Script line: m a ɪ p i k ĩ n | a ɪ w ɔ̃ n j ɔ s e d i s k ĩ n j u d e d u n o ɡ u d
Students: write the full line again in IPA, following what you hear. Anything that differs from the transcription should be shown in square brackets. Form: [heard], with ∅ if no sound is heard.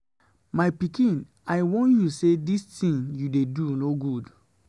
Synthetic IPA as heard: m a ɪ p i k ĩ n | a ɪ w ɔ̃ n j [u] s e d i s [t] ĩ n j u d e d u n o ɡ u d